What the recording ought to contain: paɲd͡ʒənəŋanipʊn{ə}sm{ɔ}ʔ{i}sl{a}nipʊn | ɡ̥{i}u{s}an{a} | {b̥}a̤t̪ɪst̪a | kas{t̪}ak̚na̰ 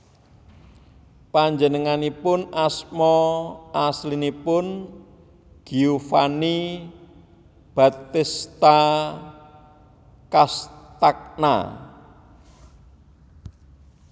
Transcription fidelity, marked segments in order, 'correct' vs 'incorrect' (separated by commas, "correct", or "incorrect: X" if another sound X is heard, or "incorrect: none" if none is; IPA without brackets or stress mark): incorrect: a, correct, incorrect: a, incorrect: i, correct, incorrect: f, incorrect: i, correct, correct